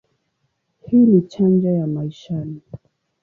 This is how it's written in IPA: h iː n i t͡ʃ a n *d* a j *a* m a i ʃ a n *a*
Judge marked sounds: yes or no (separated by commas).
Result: no, yes, no